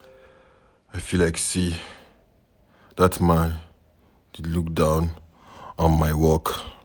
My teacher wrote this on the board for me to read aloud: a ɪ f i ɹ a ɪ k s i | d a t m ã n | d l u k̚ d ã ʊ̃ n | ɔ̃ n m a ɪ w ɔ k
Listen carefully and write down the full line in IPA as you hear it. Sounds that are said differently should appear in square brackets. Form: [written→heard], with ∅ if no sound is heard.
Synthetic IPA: a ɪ f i [ɹ→l] a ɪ k s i | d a t m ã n | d l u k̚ d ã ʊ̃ n | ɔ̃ n m a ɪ w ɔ k